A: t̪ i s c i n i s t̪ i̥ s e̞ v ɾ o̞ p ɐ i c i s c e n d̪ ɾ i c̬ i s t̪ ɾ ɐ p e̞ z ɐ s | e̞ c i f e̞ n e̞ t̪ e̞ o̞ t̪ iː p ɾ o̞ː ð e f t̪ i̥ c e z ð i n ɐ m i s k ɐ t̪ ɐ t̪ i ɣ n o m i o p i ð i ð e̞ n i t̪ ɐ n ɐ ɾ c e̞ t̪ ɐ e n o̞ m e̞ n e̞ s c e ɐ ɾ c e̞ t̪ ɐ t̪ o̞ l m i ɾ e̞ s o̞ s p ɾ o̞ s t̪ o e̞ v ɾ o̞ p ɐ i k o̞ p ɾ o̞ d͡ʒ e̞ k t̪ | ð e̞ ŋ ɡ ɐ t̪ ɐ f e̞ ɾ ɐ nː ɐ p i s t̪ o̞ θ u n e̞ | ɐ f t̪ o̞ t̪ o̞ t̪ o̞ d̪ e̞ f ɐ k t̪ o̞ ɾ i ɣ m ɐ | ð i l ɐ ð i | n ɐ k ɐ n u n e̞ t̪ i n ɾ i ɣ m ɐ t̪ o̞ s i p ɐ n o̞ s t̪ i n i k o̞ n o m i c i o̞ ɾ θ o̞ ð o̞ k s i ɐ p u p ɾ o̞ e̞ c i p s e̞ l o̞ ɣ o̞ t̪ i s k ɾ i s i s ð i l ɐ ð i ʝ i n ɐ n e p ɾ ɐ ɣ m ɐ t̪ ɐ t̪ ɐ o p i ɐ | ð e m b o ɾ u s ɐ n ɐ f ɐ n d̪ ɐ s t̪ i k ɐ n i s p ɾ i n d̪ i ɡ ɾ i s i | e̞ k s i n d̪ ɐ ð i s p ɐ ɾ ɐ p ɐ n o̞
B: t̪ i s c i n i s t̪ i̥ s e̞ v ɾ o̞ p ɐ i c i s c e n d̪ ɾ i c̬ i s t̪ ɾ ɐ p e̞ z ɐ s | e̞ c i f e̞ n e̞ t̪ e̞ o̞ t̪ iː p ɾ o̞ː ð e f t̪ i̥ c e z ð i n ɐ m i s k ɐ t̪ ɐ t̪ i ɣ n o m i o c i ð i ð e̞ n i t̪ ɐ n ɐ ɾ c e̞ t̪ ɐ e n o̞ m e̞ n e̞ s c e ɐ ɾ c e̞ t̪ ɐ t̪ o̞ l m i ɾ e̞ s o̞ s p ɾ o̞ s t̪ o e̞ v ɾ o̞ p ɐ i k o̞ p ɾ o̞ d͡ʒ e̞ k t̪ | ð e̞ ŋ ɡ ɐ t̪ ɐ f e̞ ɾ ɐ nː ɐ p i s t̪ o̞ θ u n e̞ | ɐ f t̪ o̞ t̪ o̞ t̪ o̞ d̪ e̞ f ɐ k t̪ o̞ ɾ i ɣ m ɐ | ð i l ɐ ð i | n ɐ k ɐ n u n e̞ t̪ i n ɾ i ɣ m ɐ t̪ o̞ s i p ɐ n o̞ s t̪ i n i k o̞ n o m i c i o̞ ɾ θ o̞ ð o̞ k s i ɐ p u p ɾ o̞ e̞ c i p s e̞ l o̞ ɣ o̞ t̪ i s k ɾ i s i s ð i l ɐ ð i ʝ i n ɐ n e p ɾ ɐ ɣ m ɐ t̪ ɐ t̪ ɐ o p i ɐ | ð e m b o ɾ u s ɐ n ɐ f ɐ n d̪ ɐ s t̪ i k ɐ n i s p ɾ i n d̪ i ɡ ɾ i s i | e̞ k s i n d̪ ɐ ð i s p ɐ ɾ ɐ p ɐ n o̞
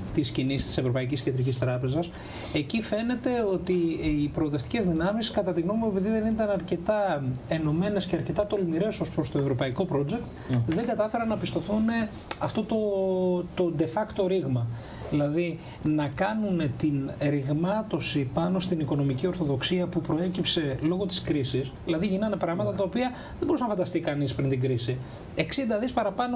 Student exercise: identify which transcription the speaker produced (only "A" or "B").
A